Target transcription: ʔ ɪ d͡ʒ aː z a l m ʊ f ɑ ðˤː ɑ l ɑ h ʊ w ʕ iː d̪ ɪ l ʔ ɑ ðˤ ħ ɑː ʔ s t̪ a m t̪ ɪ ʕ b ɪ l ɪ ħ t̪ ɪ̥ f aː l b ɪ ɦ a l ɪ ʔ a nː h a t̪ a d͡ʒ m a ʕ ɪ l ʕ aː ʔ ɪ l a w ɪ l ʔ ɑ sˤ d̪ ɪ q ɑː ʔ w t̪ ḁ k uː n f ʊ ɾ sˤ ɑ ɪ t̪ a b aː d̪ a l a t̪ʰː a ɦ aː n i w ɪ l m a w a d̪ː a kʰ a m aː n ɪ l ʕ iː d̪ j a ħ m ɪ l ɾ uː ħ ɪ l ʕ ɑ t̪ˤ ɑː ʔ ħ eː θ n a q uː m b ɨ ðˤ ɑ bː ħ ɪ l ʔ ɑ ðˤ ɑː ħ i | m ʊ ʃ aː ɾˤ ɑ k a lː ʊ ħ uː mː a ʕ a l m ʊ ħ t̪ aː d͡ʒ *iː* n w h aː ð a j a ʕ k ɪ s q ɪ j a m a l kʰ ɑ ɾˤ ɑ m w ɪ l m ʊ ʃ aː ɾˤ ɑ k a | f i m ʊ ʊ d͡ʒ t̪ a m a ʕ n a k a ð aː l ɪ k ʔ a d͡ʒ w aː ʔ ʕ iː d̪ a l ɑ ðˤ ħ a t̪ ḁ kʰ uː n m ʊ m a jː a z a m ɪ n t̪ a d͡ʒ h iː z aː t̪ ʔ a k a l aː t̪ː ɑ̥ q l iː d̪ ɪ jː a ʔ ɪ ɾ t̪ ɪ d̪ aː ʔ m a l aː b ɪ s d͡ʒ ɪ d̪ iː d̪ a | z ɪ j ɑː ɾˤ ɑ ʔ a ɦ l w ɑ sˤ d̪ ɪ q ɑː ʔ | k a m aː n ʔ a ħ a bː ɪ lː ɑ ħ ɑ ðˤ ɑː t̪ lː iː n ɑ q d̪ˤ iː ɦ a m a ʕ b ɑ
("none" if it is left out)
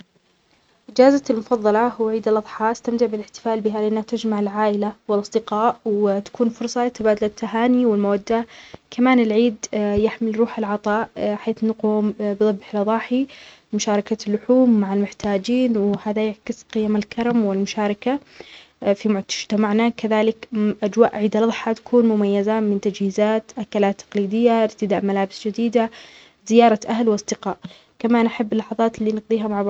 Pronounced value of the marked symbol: iː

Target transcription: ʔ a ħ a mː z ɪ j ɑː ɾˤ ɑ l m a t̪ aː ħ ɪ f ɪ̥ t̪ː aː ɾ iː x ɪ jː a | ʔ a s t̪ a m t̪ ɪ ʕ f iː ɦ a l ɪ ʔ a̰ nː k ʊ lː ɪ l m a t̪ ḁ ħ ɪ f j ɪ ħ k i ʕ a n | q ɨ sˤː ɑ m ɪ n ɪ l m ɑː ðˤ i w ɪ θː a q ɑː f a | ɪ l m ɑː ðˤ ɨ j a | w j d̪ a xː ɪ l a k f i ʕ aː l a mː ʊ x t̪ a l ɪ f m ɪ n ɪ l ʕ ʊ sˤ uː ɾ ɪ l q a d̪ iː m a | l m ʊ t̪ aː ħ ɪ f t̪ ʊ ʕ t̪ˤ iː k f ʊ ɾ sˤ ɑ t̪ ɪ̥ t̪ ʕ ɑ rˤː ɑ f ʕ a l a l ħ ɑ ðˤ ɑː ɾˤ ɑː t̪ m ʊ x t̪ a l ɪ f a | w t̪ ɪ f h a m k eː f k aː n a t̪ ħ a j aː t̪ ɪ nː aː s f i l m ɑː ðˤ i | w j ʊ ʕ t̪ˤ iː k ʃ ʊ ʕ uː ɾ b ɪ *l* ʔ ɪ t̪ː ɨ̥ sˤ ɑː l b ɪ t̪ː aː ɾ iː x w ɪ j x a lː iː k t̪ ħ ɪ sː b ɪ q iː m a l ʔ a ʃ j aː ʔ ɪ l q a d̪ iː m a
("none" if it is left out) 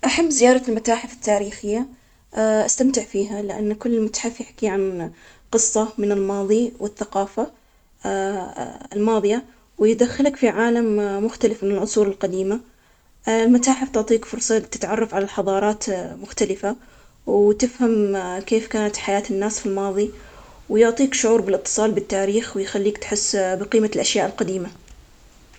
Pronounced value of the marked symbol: l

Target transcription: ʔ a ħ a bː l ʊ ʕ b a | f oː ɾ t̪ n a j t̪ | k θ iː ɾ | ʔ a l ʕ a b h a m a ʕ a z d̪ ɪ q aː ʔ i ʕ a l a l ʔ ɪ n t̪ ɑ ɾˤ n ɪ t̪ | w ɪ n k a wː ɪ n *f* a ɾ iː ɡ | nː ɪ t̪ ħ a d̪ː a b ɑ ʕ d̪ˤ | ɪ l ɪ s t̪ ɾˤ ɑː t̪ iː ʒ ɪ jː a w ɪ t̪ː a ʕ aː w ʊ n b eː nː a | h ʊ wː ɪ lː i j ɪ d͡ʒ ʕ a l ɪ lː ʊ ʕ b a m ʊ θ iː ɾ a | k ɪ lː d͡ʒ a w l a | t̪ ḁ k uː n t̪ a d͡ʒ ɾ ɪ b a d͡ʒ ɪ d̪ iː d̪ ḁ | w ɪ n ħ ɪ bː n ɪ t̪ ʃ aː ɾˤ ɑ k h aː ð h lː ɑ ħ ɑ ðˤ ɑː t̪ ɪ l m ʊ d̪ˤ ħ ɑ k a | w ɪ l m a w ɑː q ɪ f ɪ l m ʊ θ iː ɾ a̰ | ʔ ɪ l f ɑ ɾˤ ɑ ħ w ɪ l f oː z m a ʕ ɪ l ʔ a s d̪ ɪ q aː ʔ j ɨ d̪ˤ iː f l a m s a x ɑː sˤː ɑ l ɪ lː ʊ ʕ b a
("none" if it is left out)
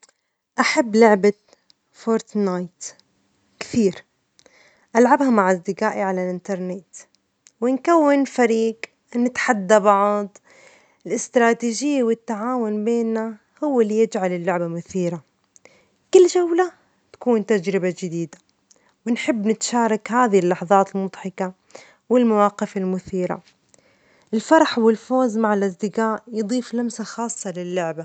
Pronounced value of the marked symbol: f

